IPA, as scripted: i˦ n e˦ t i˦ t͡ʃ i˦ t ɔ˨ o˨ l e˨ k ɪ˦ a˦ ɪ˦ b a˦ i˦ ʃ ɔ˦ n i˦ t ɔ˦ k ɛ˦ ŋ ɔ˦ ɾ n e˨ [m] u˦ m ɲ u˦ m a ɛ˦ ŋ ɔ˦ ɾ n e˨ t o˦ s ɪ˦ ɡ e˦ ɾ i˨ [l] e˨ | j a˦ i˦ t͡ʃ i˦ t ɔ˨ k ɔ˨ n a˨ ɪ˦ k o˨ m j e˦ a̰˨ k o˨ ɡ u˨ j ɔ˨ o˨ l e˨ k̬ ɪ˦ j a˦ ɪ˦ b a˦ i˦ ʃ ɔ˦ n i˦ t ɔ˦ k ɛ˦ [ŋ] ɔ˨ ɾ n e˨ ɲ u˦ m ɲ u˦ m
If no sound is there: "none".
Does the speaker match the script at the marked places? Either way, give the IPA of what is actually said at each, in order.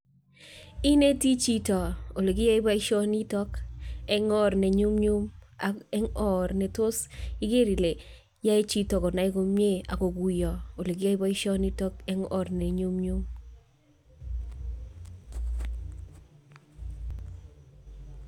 ɲ, l, ŋ

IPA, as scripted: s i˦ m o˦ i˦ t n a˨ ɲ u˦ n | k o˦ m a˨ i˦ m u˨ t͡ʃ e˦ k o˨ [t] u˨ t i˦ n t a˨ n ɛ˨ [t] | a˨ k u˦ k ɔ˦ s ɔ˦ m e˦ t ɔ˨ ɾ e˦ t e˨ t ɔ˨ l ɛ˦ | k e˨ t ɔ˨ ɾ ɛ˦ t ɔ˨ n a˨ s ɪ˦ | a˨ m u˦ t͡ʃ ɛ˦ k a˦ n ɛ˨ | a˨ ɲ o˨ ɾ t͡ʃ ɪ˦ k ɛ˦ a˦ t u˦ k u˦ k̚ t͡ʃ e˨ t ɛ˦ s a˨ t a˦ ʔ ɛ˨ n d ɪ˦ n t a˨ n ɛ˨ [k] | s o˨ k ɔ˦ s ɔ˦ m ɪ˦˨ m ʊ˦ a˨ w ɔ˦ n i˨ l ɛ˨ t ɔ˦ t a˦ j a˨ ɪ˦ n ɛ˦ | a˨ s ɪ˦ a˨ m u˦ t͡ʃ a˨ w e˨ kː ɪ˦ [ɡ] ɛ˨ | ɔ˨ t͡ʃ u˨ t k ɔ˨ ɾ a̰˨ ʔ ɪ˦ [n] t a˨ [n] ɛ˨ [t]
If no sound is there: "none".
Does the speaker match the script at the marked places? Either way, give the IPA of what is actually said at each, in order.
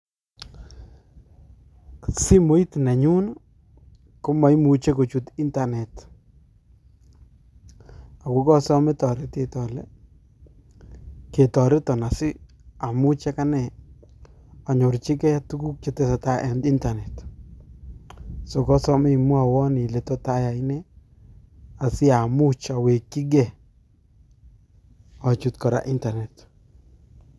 t͡ʃ, t, t, ɡ, n, n, t

